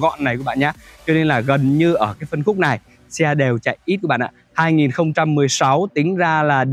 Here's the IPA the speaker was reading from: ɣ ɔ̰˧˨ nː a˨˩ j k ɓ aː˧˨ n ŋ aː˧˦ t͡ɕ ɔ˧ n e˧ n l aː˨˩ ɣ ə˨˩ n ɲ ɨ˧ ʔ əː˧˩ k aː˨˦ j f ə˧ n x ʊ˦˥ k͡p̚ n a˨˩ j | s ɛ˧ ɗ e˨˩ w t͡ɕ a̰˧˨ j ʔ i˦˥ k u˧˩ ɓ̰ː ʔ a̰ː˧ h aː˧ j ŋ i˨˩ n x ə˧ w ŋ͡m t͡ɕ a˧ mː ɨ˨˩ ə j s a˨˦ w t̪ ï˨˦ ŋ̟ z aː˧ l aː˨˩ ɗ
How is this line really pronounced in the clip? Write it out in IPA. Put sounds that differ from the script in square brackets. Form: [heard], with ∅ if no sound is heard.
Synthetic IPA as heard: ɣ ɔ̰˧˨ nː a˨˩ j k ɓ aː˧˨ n [ɲ] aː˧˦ t͡ɕ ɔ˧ n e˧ n l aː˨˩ ɣ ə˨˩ n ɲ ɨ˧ ʔ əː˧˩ k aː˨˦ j f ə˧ n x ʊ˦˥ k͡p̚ n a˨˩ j | s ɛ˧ ɗ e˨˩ w t͡ɕ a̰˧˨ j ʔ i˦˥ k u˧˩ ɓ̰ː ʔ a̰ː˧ h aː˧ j ŋ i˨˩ n x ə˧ w ŋ͡m t͡ɕ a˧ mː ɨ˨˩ ə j s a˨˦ w t̪ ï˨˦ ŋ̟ z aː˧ l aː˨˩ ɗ